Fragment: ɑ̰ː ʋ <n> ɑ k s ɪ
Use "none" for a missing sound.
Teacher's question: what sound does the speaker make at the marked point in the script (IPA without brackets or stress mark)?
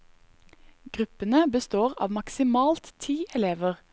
m